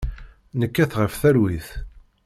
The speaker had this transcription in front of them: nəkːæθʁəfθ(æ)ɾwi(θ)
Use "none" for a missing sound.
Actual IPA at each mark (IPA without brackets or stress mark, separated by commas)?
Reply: æ, θ